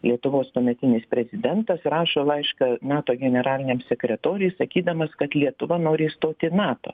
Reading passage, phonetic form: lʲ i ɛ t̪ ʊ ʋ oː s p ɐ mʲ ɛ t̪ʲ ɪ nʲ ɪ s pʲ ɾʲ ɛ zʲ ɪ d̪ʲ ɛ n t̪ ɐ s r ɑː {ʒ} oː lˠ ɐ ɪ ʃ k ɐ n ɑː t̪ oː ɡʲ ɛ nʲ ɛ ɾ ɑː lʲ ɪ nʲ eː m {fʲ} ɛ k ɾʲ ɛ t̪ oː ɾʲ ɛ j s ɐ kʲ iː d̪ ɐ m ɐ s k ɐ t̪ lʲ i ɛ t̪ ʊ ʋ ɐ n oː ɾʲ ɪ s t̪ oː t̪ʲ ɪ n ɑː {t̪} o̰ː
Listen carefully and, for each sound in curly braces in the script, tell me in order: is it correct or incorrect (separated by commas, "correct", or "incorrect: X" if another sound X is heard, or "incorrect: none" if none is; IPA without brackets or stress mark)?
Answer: incorrect: ʃ, incorrect: sʲ, correct